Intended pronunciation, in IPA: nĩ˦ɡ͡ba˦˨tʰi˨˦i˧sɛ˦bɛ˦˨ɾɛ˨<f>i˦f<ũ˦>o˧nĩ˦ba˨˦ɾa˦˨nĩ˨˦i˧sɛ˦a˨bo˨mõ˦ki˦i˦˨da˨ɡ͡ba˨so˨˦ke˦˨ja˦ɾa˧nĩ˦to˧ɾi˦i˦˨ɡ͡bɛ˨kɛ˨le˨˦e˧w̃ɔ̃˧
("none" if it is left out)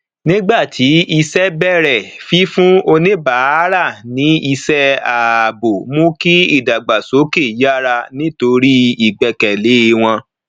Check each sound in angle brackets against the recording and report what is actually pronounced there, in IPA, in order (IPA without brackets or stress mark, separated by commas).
f, ũ˦